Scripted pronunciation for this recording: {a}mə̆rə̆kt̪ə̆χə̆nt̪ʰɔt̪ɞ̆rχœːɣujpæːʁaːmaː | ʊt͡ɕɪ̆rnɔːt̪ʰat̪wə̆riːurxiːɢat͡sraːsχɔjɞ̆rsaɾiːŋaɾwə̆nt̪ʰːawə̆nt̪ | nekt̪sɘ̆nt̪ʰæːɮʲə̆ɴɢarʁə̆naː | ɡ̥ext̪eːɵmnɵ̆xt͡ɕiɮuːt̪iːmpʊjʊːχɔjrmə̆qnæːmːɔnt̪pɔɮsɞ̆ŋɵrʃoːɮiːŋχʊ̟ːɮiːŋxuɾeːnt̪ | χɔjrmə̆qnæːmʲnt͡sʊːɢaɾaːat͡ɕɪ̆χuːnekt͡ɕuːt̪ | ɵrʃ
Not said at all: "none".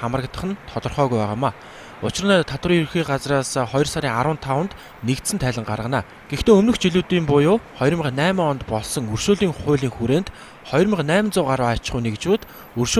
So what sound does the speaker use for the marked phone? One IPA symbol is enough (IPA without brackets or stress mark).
a